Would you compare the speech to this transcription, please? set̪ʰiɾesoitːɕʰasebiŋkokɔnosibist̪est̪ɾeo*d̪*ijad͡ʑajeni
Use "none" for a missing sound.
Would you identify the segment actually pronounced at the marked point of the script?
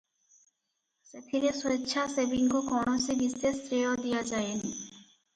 d̪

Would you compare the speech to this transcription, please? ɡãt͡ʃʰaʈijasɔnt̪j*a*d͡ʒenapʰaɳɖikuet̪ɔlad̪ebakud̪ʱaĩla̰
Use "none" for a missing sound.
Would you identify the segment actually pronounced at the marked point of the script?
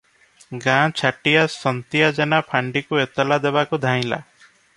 a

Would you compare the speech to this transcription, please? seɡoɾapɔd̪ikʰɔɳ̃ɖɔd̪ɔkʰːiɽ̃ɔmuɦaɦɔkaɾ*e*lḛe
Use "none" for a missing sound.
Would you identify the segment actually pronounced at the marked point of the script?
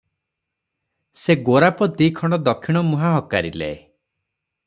i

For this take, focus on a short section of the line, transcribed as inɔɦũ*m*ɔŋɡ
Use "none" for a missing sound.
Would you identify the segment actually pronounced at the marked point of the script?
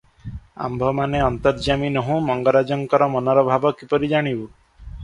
m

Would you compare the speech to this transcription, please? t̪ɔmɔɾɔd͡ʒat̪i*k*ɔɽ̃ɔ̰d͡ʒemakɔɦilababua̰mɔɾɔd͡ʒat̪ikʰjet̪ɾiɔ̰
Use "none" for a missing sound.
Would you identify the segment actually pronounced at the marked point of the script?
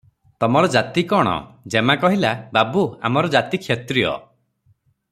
k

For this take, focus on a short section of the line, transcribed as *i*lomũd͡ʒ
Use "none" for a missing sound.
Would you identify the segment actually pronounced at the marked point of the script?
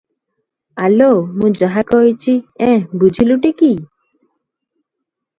a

